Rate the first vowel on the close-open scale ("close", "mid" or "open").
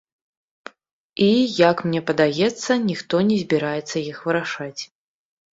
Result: close